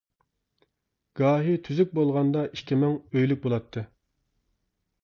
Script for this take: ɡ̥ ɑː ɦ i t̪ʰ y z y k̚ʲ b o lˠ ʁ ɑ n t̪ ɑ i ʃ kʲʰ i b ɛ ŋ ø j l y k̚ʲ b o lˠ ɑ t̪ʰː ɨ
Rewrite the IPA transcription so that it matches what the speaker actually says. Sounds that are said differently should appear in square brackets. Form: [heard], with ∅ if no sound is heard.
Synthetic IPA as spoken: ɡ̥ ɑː ɦ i t̪ʰ y z y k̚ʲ b o lˠ ʁ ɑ n [d̪] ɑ i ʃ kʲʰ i [m] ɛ ŋ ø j l y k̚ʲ b o lˠ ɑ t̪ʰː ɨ

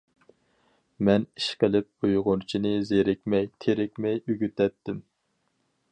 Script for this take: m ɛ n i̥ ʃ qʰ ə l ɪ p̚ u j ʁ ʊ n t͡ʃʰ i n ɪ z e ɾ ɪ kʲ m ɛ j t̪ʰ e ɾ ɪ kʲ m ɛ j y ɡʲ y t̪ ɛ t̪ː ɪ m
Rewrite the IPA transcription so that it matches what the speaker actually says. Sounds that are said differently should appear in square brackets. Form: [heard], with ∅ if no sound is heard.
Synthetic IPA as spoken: m ɛ n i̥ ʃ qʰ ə l ɪ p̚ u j ʁ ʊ n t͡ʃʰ i n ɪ z e ɾ ɪ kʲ m ɛ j t̪ʰ e ɾ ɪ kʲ m ɛ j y ɡʲ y t̪ ɛ t̪ː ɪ m

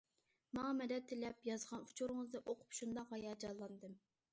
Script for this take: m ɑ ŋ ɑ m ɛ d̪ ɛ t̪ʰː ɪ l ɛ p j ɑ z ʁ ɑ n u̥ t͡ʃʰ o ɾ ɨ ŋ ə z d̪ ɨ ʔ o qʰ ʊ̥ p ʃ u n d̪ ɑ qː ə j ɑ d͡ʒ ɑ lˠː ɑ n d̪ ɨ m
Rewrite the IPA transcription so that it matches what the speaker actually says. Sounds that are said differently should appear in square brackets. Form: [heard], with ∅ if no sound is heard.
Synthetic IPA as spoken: m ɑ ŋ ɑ m ɛ d̪ ɛ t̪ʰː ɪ l ɛ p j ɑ z ʁ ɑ n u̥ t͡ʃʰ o ɾ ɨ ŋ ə z d̪ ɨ ʔ o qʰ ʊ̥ p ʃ u n d̪ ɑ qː [ɑ] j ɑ d͡ʒ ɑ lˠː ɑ n d̪ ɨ m

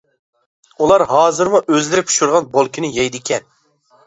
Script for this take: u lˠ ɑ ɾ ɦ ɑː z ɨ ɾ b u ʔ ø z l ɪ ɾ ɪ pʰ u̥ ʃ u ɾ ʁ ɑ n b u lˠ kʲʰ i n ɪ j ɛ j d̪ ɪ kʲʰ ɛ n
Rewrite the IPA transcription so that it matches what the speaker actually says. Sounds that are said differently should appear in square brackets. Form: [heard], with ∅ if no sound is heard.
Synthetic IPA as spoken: u lˠ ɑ ɾ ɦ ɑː z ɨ ɾ [m] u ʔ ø z l ɪ ɾ ɪ pʰ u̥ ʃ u ɾ ʁ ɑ n b [o] lˠ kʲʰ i n ɪ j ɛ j d̪ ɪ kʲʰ ɛ n

